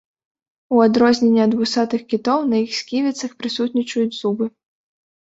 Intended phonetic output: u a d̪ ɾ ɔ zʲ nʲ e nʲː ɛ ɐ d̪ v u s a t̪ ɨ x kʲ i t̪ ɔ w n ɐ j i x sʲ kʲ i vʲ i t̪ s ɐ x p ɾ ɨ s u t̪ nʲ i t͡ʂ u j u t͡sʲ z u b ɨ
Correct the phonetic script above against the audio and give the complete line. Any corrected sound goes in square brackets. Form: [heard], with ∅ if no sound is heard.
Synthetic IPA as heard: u a d̪ ɾ ɔ zʲ nʲ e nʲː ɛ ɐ d̪ v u s a t̪ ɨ x kʲ i t̪ ɔ w n ɐ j i x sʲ kʲ i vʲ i t̪ s ɐ x p ɾ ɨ s u t̪ nʲ i t͡ʂ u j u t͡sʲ z u b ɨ